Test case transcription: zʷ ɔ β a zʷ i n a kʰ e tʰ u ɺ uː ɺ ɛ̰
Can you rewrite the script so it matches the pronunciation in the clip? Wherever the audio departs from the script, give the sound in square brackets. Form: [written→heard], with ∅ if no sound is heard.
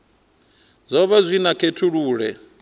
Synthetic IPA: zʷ ɔ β a zʷ i n a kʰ e tʰ u ɺ uː ɺ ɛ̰